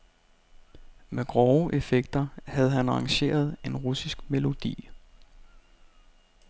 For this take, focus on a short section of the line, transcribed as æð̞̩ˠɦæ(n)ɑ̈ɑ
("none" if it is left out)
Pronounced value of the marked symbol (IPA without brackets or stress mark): n